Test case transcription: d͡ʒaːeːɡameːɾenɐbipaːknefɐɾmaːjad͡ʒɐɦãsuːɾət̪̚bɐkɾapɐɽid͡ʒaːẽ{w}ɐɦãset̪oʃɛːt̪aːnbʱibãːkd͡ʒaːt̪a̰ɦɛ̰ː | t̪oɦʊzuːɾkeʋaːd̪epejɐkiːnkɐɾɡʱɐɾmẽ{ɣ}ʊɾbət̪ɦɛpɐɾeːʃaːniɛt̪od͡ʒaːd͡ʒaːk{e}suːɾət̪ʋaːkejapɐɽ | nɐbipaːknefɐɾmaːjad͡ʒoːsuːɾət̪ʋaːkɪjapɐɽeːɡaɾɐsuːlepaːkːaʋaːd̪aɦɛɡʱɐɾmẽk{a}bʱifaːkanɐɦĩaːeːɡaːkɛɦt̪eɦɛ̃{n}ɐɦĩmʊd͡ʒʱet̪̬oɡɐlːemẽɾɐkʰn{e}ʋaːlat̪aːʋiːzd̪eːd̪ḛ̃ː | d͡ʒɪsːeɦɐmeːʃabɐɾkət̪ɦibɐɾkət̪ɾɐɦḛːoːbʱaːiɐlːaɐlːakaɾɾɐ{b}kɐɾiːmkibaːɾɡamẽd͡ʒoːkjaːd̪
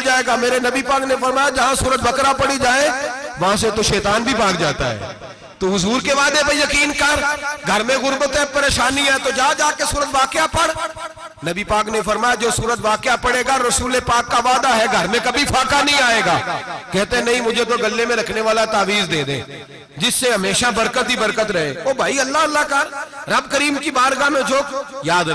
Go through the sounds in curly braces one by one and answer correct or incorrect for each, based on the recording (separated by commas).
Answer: incorrect, correct, correct, incorrect, correct, correct, correct